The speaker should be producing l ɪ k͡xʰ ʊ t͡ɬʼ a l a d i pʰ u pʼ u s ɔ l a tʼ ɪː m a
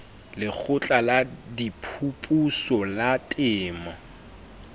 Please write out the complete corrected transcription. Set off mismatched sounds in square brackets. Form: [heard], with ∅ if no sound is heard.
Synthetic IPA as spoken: l ɪ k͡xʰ ʊ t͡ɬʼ a l a d i pʰ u pʼ u s ɔ l a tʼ ɪː m a